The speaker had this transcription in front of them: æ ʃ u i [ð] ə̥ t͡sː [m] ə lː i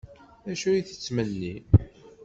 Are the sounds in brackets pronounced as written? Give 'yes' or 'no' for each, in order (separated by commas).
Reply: no, yes